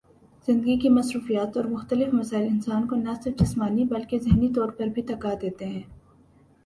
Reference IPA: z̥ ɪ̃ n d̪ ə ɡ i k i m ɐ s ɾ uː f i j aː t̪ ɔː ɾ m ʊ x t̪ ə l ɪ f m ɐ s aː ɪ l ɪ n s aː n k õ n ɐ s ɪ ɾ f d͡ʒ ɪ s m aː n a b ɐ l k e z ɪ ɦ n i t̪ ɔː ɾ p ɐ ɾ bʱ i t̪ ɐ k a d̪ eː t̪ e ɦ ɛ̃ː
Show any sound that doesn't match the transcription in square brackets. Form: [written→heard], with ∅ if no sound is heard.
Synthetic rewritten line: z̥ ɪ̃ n d̪ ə ɡ i k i m ɐ s ɾ uː f i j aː t̪ ɔː ɾ m ʊ x t̪ ə l ɪ f m ɐ s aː ɪ l ɪ n s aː n k [õ→o] n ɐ s ɪ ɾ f d͡ʒ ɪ s m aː n [a→i] b ɐ l k e z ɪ ɦ n i t̪ ɔː ɾ p ɐ ɾ bʱ i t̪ ɐ k a d̪ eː t̪ e ɦ ɛ̃ː